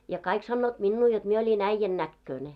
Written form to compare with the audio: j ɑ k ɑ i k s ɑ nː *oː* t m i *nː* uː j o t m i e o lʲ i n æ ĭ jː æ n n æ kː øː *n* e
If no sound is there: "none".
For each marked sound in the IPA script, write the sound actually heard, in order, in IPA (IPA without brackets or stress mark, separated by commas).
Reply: oː, nː, n